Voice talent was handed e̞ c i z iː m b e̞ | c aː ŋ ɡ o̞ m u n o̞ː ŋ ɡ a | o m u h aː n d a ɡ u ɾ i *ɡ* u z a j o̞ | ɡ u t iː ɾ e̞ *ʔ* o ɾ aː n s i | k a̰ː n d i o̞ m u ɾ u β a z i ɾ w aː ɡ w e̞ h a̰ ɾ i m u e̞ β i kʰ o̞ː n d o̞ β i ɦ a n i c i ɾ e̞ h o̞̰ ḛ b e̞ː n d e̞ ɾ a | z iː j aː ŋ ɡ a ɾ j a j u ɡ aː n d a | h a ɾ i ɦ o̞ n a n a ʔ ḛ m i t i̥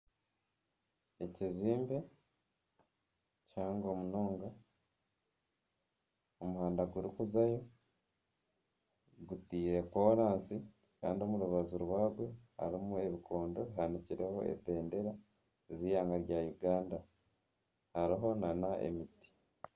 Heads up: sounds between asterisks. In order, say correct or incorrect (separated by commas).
incorrect, incorrect